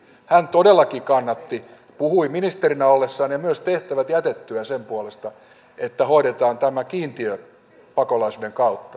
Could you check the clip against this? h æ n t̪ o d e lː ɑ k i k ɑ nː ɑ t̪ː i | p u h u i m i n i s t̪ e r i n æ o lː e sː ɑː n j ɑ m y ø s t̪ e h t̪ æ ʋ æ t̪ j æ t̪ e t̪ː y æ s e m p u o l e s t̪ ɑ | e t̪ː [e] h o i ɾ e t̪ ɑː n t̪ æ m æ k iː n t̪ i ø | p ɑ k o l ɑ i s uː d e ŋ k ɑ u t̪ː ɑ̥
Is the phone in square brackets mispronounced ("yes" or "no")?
yes